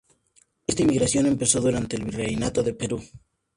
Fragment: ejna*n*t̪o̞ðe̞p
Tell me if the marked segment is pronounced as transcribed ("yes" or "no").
no